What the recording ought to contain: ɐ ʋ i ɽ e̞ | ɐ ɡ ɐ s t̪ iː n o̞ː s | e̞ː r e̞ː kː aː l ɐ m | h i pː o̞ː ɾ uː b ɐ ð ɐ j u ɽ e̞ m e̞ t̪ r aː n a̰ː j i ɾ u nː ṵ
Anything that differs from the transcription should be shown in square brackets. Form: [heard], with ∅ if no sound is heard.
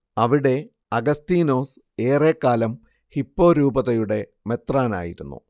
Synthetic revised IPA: ɐ ʋ i ɽ e̞ | ɐ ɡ ɐ s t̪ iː n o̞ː s | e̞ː r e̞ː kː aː l ɐ m | h i pː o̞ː ɾ uː b ɐ ð ɐ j u ɽ e̞ m e̞ t̪ r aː n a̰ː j i ɾ u nː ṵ